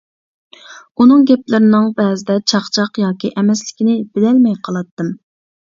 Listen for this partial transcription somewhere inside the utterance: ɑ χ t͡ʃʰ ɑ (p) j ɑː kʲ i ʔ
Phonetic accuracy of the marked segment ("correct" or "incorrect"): incorrect